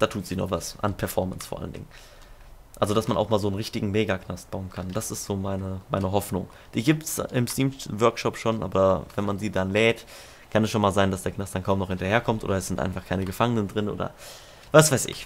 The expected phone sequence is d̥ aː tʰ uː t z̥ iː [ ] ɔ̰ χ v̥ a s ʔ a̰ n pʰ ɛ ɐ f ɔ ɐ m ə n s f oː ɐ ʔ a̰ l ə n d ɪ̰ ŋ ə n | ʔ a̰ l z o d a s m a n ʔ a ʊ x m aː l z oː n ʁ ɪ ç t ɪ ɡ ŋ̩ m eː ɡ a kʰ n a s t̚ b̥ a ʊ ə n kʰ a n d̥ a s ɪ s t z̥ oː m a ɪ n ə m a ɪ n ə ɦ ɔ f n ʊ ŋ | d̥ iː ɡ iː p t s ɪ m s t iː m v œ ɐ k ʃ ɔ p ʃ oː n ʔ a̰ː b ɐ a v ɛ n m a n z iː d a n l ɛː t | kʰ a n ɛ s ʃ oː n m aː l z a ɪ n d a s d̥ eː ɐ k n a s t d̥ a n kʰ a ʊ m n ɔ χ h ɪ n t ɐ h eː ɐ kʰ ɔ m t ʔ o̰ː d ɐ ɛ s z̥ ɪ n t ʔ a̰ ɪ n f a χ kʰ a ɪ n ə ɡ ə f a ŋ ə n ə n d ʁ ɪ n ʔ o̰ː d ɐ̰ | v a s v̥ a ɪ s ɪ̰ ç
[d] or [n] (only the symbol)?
n